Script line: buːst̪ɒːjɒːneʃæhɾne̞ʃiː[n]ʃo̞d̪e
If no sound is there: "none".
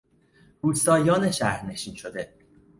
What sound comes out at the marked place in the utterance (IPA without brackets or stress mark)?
n